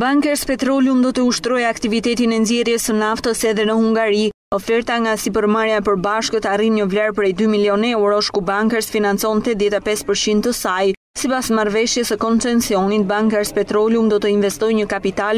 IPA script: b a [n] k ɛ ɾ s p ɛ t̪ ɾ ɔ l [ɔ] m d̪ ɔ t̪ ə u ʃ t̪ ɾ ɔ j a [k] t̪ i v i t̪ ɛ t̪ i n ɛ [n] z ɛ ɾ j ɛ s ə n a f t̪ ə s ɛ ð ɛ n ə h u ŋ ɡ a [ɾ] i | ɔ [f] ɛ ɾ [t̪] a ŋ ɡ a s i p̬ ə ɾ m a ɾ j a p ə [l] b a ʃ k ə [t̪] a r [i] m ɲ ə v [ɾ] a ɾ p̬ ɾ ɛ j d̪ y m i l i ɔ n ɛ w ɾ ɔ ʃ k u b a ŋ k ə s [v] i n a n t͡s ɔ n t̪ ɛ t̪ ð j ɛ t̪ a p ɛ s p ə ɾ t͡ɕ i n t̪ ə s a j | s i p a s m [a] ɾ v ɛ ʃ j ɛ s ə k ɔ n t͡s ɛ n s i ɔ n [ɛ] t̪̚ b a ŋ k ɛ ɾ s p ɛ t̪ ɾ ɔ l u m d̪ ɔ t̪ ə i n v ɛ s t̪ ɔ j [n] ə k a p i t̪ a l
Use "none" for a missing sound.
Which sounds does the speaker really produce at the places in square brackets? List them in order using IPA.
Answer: ŋ, u, k, n, ɾ, f, t̪, ɾ, t̪, i, l, f, a, i, ɲ

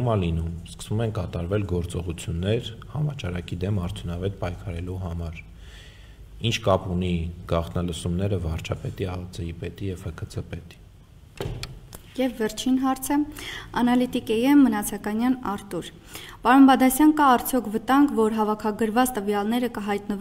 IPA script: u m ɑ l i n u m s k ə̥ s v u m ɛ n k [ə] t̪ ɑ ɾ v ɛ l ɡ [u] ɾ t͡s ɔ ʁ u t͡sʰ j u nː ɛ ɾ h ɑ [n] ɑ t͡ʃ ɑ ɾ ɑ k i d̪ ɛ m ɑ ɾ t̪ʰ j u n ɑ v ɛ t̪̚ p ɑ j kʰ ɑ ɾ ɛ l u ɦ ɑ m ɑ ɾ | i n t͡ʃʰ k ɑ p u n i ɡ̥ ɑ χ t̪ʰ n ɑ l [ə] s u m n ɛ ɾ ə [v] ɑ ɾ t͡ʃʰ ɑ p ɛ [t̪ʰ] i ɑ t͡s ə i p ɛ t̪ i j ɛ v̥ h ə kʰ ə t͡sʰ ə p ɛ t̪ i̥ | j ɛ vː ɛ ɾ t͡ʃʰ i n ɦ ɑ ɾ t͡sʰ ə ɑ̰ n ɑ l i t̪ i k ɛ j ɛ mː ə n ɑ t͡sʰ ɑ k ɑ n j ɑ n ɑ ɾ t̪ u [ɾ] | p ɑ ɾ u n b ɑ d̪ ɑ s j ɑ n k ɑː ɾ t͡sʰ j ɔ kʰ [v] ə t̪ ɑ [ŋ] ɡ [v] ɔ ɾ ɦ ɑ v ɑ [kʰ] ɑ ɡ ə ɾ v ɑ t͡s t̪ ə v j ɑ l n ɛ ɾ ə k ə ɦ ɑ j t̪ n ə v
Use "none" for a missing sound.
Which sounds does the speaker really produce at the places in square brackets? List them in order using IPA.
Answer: ɑ, ɔ, m, ə, v, t̪, ɾ, v, ŋ, v, kʰ

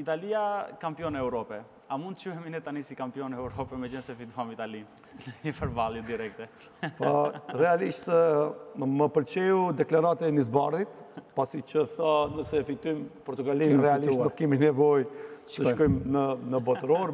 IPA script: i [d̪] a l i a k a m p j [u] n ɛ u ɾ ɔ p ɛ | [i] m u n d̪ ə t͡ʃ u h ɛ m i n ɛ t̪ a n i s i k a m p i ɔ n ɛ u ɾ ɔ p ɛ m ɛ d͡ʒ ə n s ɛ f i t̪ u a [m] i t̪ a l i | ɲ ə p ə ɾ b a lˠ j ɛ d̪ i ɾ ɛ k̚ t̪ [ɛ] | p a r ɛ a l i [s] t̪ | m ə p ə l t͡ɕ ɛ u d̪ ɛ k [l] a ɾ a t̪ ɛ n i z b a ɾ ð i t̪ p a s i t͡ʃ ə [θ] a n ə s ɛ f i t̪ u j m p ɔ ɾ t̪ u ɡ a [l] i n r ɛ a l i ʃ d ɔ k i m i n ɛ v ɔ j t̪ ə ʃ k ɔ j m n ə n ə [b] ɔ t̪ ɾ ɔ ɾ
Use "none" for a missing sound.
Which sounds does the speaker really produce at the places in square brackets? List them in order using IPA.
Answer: t̪, ɔ, a, m, ɛ, ʃ, l, θ, l, b

